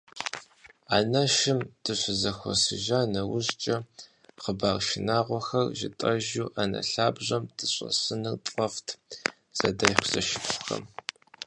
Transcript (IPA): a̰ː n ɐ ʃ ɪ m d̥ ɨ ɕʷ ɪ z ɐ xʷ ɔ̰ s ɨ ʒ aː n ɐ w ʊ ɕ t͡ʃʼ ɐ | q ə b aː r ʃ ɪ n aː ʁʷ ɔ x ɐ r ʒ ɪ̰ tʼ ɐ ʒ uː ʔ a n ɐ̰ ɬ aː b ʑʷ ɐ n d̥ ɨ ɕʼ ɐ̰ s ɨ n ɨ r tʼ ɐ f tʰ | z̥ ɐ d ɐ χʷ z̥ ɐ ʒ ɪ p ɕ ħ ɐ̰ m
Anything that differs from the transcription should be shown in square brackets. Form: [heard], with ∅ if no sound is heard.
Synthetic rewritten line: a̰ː n ɐ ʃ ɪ m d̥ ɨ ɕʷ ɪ z ɐ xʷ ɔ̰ s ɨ ʒ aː n ɐ w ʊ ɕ t͡ʃʼ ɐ | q ə b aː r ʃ ɪ n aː ʁʷ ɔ x ɐ r ʒ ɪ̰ tʼ ɐ ʒ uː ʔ a n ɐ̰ ɬ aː b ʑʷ ɐ [m] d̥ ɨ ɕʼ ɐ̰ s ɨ n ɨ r tʼ ɐ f tʰ | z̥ ɐ d ɐ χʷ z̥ ɐ [ʃ] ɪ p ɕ [x] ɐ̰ m

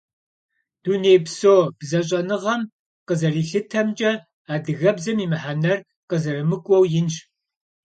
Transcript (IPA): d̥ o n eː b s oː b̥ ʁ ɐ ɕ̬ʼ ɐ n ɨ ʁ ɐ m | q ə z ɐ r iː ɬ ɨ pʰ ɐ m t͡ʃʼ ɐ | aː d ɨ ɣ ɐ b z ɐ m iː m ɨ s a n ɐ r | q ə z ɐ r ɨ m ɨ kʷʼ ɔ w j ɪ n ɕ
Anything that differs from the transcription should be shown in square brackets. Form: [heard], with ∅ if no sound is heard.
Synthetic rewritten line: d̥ [u] n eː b s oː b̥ [z] ɐ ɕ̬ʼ ɐ n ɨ ʁ ɐ m | q ə z ɐ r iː ɬ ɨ [tʰ] ɐ m t͡ʃʼ ɐ | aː d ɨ ɣ ɐ b z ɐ m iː m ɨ [ħ] a n ɐ r | q ə z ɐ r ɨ m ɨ kʷʼ ɔ w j ɪ n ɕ

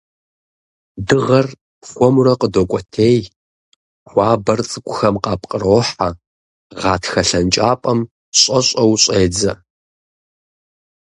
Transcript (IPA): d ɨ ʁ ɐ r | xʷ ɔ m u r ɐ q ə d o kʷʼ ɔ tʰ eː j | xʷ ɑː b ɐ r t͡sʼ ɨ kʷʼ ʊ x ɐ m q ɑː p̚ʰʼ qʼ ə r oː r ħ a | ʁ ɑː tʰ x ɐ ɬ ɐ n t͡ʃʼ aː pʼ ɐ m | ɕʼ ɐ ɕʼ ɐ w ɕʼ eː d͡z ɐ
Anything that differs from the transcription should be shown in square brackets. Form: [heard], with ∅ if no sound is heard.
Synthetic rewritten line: d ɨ ʁ ɐ r | xʷ ɔ m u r ɐ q ə d o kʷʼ ɔ tʰ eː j | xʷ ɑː b ɐ r t͡sʼ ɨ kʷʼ ʊ x ɐ m q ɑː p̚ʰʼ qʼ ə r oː [∅] ħ a | ʁ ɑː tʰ x ɐ ɬ ɐ n t͡ʃʼ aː pʼ ɐ m | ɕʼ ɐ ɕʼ ɐ w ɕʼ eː d͡z ɐ

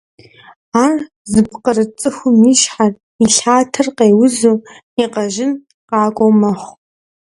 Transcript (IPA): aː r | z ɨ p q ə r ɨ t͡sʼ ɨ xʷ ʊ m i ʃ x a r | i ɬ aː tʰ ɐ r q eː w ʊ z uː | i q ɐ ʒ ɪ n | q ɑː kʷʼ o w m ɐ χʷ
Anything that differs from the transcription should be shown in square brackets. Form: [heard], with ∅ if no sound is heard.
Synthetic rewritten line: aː r | z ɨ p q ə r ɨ t͡sʼ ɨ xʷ ʊ m i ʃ [ħ] a r | i ɬ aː tʰ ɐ r q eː w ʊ z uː | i q ɐ ʒ ɪ n | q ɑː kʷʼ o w m ɐ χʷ

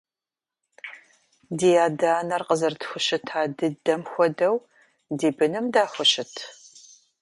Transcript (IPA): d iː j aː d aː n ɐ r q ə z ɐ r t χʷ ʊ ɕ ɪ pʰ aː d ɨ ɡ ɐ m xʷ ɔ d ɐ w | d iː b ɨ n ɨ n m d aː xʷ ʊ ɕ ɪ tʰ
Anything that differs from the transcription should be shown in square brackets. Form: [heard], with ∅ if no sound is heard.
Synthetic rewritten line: d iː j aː d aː n ɐ r q ə z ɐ r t [xʷ] ʊ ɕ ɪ [tʰ] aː d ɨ [d] ɐ m xʷ ɔ d ɐ w | d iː b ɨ n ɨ [∅] m d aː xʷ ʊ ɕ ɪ tʰ

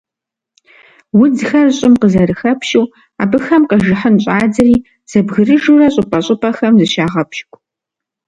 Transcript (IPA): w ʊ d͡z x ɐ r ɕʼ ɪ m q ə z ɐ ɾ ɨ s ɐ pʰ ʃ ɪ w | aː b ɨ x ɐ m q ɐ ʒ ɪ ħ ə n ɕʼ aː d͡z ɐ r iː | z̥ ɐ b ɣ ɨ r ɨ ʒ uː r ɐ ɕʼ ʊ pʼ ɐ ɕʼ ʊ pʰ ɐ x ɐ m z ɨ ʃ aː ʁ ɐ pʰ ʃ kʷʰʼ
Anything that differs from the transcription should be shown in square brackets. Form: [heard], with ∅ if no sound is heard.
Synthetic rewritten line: w ʊ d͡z x ɐ r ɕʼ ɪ m q ə z ɐ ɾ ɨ [x] ɐ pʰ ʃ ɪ w | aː b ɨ x ɐ m q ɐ ʒ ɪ ħ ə n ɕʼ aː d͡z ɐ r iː | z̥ ɐ b ɣ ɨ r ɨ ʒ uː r ɐ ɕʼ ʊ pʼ ɐ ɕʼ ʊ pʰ ɐ x ɐ m z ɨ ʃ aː ʁ ɐ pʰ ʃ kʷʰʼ

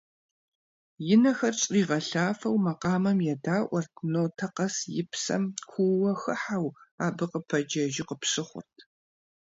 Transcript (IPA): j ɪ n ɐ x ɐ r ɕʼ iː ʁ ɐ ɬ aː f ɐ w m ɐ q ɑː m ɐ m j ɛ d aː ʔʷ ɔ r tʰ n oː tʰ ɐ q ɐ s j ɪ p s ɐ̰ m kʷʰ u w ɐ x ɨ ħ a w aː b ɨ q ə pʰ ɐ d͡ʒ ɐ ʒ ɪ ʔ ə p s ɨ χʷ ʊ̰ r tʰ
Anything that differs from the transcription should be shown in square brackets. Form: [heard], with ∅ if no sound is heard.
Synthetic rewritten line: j ɪ n ɐ x ɐ r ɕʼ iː ʁ ɐ ɬ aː f ɐ w m ɐ q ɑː m ɐ m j ɛ d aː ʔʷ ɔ r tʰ n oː tʰ ɐ q ɐ s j ɪ p s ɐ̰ m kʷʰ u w ɐ x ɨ ħ a w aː b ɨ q ə pʰ ɐ d͡ʒ ɐ ʒ ɪ [q] ə p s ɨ χʷ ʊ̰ r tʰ

